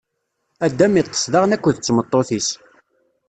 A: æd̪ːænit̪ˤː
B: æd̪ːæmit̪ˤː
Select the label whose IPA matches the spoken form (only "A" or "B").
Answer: B